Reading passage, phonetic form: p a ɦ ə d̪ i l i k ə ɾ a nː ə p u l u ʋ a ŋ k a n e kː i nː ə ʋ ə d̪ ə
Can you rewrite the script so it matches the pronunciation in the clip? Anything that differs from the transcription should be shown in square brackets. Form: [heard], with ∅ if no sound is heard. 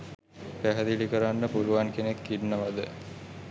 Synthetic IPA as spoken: p [æ] ɦ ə d̪ i l i k ə ɾ a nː ə p u l u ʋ a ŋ k [e] n e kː i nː ə ʋ [a] d̪ ə